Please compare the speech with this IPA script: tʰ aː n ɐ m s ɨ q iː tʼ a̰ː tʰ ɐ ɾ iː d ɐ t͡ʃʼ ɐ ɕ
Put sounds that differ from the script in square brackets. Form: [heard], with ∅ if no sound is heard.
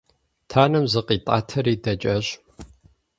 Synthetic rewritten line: tʰ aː n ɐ m [z] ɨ q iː tʼ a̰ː tʰ ɐ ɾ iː d ɐ t͡ʃʼ ɐ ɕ